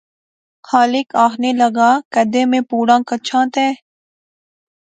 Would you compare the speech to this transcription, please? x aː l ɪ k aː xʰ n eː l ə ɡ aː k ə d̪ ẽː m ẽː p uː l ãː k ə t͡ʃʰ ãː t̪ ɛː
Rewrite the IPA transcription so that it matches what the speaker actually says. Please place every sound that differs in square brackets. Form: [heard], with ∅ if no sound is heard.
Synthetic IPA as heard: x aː l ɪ k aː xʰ n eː l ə ɡ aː k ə d̪ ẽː m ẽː p uː [ɽ] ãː k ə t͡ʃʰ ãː t̪ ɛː